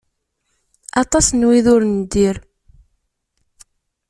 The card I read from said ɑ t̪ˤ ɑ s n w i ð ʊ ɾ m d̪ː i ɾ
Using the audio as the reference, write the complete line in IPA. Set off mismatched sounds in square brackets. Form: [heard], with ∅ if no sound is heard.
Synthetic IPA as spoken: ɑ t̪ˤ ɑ s n w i ð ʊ ɾ [n] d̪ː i ɾ